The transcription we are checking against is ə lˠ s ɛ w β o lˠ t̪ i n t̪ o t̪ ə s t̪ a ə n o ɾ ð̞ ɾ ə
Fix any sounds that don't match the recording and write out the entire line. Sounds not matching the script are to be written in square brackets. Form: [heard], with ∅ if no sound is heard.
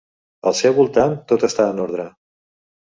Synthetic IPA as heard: ə lˠ s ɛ w β [u] lˠ t̪ [a] n t̪ o t̪ ə s t̪ a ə n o ɾ ð̞ ɾ ə